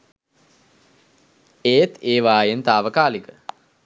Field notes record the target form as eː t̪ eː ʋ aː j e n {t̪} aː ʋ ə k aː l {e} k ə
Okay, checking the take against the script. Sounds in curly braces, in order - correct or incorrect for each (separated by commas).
correct, incorrect